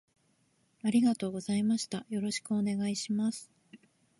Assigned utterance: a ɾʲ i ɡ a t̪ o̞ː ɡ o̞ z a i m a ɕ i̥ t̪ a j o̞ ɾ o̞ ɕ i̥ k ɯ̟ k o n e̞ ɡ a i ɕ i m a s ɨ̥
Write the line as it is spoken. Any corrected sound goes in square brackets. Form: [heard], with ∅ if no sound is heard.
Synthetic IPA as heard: a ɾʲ i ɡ a t̪ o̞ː ɡ o̞ z a i m a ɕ i̥ t̪ a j o̞ ɾ o̞ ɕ i̥ k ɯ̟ [∅] o n e̞ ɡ a i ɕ i m a s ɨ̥